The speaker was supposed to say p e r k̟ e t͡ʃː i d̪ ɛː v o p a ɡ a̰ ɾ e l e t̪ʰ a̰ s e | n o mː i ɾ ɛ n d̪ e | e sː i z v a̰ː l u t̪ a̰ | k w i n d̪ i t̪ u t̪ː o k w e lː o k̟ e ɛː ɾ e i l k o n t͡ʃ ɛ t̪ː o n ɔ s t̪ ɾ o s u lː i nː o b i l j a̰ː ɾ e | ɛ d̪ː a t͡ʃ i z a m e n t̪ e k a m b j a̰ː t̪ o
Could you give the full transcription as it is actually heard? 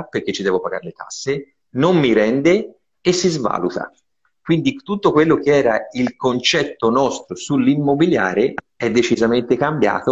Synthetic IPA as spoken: p e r k̟ e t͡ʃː i d̪ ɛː v o p a ɡ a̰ ɾ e l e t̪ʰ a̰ sː e | n o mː i ɾ ɛ n d̪ e | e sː i z v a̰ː l u t̪ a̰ | k w i n d̪ i t̪ u t̪ː o k w e lː o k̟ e ɛː ɾ a i l k o n t͡ʃ ɛ t̪ː o n ɔ s t̪ ɾ o s u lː i mː o b i l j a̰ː ɾ e | ɛ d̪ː e t͡ʃ i z a m e n t̪ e k a m b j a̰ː t̪ o